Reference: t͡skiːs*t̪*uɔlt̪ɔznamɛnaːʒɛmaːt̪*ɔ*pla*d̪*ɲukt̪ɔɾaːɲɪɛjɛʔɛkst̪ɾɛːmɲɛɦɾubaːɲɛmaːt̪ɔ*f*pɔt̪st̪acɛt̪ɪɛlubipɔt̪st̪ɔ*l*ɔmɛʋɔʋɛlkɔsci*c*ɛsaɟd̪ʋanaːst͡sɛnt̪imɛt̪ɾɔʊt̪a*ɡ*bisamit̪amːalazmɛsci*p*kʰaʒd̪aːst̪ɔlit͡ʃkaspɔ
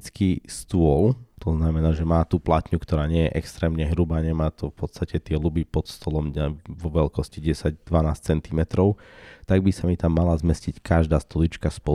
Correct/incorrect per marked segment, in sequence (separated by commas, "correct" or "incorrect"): correct, incorrect, incorrect, correct, correct, incorrect, correct, incorrect